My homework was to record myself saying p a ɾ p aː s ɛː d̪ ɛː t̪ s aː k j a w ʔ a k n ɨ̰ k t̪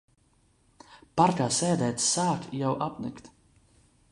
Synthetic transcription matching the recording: p a ɾ k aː s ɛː d̪ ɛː t̪ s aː k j a w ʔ a p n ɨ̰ k t̪